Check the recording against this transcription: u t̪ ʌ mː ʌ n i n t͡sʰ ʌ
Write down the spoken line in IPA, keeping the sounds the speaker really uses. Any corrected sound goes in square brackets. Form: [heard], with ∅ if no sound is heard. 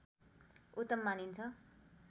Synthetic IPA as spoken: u t̪ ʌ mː [a] n i n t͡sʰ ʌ